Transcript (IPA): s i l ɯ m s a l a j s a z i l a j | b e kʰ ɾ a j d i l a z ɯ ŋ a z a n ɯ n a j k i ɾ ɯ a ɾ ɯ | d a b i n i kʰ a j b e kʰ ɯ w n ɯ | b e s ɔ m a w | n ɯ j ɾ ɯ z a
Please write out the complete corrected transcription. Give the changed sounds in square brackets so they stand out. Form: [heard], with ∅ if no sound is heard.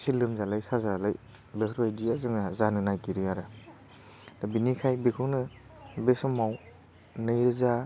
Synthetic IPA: s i l ɯ m [z] a l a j s a z [a] l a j | b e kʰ ɾ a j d i [∅] a z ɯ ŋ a z a n ɯ n a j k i ɾ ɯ a ɾ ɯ | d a b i n i kʰ a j b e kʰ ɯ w n ɯ | b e s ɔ m a w | n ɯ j ɾ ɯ z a